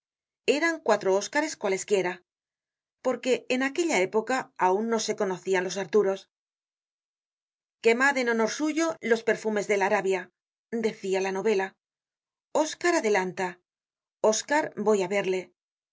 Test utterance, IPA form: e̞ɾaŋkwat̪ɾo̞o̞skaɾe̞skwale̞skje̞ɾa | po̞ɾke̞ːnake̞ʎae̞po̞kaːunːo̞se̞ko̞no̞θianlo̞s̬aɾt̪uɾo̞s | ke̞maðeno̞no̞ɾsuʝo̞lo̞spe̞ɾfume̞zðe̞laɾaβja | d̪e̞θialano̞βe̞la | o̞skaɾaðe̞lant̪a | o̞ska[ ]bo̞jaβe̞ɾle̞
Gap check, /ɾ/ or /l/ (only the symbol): ɾ